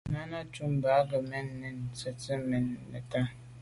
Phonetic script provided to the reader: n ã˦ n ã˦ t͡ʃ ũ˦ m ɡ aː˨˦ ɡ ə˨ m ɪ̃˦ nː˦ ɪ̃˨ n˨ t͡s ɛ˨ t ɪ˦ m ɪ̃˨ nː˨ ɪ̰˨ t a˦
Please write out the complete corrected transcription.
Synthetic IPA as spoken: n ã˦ n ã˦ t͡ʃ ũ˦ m b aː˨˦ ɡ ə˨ m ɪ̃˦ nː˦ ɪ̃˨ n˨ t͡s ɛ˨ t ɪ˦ m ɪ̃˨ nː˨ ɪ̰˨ t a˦

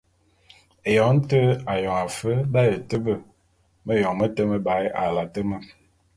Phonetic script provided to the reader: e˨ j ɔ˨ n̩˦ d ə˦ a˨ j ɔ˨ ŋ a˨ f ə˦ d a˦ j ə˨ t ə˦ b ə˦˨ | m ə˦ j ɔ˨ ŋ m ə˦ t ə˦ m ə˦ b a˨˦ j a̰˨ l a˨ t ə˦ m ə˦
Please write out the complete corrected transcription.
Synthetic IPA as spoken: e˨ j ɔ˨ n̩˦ t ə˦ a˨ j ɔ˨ ŋ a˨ f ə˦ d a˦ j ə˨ t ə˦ b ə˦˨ | m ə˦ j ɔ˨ ŋ m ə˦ t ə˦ m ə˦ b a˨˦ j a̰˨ l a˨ t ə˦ m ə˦

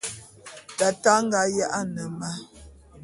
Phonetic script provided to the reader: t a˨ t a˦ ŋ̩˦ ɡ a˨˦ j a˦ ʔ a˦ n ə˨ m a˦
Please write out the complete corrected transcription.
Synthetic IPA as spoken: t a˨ t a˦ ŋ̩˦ ɡ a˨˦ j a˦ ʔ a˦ n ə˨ m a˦

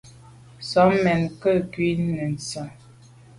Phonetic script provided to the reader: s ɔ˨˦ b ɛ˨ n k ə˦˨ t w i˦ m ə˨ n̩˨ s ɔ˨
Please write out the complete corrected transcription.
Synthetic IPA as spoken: s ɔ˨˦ m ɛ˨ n k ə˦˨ k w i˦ n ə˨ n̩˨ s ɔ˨

